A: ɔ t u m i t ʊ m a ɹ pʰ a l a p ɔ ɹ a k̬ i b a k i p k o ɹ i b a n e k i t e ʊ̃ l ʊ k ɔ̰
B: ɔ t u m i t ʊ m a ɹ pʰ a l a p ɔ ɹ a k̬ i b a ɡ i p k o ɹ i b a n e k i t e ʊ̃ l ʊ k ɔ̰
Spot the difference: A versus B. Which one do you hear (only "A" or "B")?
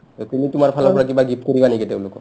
B